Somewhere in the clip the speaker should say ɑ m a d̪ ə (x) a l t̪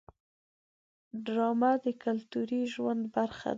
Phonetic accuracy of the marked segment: incorrect: k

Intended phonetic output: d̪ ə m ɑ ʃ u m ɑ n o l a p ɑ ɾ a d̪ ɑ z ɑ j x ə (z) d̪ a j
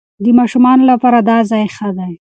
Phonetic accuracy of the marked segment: incorrect: none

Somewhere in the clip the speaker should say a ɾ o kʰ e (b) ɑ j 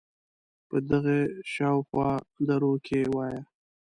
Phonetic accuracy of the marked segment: incorrect: w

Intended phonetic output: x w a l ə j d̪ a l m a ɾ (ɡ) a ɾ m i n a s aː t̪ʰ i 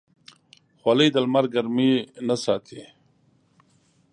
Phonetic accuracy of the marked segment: correct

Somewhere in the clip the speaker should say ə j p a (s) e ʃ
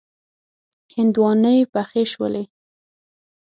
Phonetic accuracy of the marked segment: incorrect: x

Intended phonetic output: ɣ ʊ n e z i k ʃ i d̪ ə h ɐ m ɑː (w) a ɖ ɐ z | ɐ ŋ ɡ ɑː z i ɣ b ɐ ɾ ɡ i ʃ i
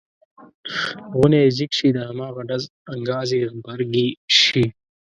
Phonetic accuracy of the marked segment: incorrect: ɣ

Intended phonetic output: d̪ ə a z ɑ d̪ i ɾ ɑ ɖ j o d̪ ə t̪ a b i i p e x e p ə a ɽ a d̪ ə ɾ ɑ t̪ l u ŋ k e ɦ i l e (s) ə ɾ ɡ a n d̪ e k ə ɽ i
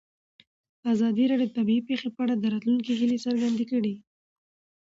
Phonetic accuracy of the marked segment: correct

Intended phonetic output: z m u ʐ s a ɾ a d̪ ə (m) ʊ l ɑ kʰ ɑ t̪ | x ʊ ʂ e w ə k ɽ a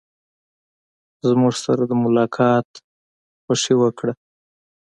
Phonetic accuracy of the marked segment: correct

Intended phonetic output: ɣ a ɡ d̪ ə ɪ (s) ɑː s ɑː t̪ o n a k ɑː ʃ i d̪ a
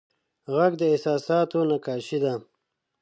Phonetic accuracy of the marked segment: correct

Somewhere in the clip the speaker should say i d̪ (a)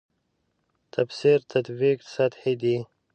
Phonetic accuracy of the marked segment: incorrect: i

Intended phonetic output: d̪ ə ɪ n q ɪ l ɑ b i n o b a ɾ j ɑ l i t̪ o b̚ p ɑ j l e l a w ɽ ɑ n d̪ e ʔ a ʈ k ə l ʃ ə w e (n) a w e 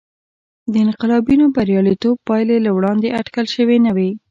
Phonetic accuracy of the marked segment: correct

